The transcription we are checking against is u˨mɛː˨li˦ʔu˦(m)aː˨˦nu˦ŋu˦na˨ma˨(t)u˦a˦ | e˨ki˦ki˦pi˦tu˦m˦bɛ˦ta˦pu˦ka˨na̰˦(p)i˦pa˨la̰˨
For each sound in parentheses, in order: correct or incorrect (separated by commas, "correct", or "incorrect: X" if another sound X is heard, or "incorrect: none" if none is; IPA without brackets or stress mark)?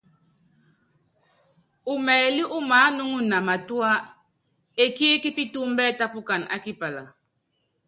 correct, correct, incorrect: k